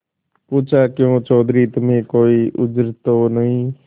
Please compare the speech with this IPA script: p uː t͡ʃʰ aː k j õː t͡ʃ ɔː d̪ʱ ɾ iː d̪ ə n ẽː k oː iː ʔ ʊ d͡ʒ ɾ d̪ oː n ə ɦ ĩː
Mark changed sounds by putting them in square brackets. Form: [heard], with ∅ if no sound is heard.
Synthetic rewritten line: p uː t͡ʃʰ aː k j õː t͡ʃ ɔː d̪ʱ ɾ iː [t̪] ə [m] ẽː k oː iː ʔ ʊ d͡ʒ ɾ [t̪] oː n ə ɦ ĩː